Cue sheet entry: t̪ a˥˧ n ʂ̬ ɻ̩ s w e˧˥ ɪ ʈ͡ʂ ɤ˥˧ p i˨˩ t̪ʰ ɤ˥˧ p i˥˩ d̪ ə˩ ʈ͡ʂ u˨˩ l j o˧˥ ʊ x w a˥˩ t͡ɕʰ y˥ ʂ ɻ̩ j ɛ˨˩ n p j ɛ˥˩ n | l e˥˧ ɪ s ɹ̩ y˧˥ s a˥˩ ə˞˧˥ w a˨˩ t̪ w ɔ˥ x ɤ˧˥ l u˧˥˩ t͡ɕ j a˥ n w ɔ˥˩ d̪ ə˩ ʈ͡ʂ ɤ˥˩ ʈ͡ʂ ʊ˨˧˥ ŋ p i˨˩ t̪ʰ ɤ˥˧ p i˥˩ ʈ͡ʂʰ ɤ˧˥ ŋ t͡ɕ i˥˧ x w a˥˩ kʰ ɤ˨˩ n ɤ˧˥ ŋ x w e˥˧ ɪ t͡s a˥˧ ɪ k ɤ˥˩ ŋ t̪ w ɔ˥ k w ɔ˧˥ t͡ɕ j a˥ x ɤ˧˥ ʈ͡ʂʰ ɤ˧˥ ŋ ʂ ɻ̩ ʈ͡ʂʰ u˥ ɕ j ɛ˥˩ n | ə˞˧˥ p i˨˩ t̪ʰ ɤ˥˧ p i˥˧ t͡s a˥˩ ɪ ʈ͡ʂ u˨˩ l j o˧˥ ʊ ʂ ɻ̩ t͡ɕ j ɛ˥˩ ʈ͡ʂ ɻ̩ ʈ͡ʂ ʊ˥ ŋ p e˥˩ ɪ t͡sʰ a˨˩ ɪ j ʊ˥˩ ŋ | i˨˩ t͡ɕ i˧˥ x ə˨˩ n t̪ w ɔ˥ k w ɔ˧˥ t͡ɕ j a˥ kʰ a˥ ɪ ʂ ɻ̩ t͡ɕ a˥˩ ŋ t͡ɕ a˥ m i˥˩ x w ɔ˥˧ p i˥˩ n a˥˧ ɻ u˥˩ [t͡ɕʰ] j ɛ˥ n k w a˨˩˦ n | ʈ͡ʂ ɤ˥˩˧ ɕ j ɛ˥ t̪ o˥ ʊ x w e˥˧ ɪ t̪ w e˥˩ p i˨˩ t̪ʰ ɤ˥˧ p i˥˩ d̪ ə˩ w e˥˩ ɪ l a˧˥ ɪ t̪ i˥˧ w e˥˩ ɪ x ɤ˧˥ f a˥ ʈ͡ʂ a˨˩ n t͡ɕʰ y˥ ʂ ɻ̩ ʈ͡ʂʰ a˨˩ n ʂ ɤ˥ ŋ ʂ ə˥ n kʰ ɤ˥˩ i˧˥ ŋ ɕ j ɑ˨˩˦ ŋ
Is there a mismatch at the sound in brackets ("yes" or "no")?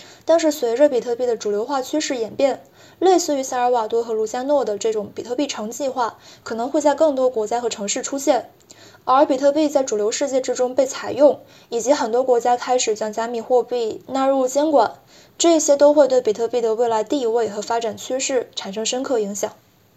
yes